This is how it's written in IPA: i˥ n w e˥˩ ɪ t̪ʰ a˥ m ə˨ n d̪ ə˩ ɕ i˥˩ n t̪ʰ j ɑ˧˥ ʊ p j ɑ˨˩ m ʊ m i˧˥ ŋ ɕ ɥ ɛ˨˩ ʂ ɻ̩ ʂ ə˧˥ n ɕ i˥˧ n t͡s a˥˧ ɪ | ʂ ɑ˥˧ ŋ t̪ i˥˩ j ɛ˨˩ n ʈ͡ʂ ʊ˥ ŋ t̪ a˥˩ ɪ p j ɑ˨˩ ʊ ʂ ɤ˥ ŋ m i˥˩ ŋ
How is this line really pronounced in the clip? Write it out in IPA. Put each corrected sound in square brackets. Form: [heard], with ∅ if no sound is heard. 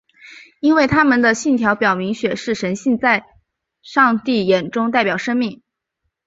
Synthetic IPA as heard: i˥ n w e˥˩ ɪ t̪ʰ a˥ m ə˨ n d̪ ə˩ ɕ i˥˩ n t̪ʰ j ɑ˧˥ ʊ p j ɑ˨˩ [∅] ʊ m i˧˥ ŋ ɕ ɥ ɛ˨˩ ʂ ɻ̩ ʂ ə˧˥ n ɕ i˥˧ n t͡s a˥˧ ɪ | ʂ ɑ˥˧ ŋ t̪ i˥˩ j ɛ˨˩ n ʈ͡ʂ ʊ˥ ŋ t̪ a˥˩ ɪ p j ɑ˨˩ ʊ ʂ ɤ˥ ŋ m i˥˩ ŋ

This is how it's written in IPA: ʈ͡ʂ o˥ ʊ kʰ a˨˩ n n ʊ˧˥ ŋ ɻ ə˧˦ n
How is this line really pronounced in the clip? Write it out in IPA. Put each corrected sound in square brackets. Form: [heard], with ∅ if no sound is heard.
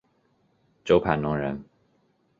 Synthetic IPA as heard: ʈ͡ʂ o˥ ʊ [pʰ] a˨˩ n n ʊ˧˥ ŋ ɻ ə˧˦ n

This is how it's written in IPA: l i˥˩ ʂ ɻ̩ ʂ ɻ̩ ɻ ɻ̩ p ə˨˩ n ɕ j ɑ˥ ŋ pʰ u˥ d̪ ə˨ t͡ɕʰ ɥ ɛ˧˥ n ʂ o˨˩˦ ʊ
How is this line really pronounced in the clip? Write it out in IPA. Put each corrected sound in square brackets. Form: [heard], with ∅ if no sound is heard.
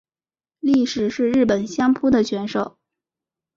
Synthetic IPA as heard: l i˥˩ ʂ ɻ̩ ʂ ɻ̩ ɻ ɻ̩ p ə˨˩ n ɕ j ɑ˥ ŋ pʰ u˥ d̪ ə˨ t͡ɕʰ ɥ ɛ˧˥ n ʂ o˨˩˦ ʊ

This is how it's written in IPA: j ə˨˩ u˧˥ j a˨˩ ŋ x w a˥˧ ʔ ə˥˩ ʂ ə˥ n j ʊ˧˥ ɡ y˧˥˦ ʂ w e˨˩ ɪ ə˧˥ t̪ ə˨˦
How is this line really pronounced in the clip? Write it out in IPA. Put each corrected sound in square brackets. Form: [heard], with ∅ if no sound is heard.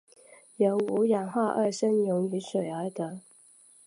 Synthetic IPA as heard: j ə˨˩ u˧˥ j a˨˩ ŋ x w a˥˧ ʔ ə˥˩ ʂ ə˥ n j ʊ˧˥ [ŋ] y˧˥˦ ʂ w e˨˩ ɪ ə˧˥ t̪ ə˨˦

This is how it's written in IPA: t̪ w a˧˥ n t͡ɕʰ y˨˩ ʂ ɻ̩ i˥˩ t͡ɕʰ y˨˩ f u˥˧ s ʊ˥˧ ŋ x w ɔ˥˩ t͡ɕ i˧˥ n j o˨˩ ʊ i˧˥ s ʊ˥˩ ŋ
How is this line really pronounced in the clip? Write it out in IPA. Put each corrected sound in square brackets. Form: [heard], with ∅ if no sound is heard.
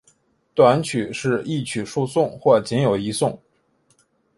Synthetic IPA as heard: t̪ w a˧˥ n t͡ɕʰ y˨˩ ʂ ɻ̩ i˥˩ t͡ɕʰ y˨˩ [ʂ] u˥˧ s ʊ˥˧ ŋ x w ɔ˥˩ t͡ɕ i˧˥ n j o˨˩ ʊ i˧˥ s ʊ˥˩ ŋ

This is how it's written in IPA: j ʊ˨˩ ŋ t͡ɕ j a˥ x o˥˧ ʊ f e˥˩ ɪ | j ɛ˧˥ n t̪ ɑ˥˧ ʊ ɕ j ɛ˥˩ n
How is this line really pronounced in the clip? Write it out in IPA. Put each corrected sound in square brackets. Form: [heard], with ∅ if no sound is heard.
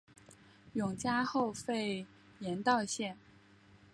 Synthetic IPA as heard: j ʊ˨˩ ŋ t͡ɕ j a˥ x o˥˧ ʊ f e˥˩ ɪ | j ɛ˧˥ n t̪ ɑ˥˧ ʊ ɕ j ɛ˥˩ n

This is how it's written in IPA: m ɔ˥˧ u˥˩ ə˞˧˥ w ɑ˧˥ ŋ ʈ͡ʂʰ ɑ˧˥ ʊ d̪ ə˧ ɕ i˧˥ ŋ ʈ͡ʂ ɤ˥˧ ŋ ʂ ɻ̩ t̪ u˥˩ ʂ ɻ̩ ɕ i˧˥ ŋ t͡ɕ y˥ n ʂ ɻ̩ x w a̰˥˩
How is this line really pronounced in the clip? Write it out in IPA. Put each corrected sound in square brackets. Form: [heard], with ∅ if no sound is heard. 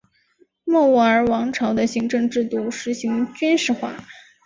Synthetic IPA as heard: m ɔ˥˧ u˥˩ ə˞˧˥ w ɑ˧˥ ŋ ʈ͡ʂʰ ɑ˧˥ ʊ d̪ ə˧ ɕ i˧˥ ŋ ʈ͡ʂ ɤ˥˧ ŋ [ʈ͡ʂ] ɻ̩ t̪ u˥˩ ʂ ɻ̩ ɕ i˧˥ ŋ t͡ɕ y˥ n ʂ ɻ̩ x w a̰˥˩

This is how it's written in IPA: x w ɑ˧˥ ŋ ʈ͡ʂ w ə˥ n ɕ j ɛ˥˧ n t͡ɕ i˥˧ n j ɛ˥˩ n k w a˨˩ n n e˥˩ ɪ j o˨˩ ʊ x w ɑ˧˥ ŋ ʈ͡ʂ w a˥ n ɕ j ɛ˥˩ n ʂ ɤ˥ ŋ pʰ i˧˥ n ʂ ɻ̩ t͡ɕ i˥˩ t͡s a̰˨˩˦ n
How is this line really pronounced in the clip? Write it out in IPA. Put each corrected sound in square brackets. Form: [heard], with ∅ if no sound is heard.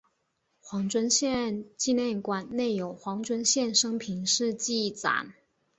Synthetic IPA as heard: x w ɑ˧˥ ŋ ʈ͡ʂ w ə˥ n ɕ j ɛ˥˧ n t͡ɕ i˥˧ n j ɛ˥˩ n k w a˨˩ n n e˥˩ ɪ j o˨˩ ʊ x w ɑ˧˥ ŋ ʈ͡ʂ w [ə˥] n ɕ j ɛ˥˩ n ʂ ɤ˥ ŋ pʰ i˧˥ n ʂ ɻ̩ t͡ɕ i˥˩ t͡s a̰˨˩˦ n

